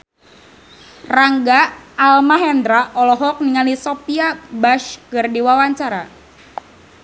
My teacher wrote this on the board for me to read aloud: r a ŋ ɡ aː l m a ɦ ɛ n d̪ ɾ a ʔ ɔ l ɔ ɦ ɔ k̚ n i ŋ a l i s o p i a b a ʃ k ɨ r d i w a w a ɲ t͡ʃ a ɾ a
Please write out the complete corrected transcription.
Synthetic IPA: r a ŋ ɡ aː l m a ɦ ɛ n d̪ ɾ a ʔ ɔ l ɔ ɦ ɔ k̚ n i ŋ a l i s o p i a b a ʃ k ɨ r d i w a w a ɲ t͡ʃ a ɾ a